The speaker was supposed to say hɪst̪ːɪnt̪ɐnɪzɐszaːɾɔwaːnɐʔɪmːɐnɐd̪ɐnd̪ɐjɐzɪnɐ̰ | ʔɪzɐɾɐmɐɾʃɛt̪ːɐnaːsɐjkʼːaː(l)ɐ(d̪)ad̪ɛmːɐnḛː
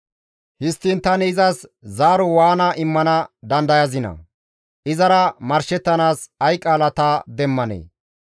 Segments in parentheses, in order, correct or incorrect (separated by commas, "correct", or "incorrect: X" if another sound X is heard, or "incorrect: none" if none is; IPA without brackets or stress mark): correct, incorrect: t̪